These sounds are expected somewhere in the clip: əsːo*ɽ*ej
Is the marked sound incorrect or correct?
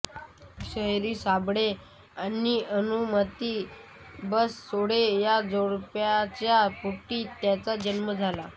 correct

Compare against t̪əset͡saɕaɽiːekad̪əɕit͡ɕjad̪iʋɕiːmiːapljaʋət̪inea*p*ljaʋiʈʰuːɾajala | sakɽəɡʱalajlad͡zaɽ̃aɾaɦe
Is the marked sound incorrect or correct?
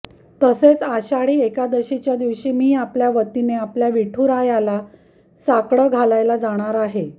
correct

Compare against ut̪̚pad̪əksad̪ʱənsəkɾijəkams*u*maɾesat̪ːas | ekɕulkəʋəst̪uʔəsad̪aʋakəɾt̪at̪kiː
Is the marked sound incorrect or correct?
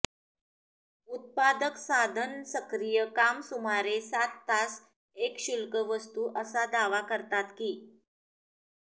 correct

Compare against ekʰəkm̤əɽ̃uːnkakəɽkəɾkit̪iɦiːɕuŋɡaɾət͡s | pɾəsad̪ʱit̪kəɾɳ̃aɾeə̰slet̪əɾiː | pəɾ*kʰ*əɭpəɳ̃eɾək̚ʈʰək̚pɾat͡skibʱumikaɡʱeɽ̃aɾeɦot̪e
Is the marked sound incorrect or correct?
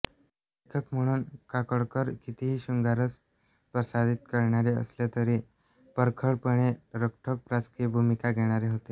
correct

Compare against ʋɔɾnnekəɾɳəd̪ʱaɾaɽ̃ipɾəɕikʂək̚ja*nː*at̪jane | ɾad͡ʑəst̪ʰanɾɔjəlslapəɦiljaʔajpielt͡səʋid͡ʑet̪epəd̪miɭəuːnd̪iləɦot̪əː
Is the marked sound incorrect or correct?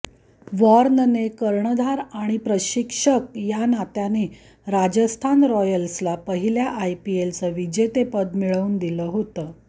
incorrect: n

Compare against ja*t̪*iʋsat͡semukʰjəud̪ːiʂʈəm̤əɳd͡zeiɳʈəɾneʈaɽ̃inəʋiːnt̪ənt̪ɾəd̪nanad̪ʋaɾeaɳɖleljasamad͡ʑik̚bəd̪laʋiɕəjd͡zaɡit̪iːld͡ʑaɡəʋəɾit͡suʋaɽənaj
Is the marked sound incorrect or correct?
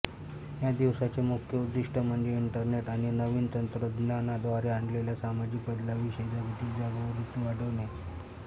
incorrect: d̪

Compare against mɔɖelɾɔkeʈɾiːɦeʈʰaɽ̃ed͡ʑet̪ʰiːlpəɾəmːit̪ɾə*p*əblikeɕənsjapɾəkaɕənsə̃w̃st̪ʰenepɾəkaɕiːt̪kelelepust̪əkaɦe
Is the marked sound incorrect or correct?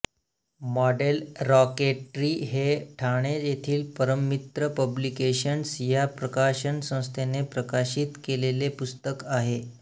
correct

